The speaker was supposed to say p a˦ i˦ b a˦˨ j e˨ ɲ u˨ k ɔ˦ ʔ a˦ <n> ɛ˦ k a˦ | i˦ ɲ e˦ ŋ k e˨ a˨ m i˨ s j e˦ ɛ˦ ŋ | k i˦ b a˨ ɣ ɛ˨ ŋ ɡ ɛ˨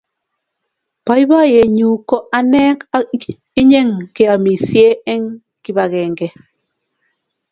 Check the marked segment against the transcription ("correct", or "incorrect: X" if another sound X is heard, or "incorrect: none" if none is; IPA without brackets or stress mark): correct